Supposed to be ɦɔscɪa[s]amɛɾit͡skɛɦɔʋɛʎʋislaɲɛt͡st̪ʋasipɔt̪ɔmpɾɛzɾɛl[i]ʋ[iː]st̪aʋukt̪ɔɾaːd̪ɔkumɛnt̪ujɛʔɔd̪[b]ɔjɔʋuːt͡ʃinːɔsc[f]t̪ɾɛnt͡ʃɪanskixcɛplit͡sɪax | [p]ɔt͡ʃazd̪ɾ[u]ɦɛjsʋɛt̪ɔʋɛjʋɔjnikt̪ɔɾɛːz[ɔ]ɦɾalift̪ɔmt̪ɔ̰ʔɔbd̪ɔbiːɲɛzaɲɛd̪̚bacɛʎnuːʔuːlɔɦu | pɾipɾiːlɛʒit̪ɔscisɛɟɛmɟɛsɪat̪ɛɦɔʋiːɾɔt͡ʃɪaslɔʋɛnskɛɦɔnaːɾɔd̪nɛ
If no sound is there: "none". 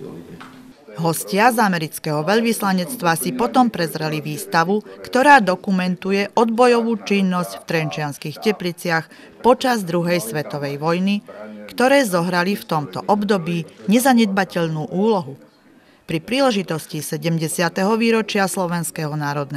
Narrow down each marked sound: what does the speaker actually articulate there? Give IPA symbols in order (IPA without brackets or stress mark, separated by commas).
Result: z, i, iː, b, f, p, u, ɔ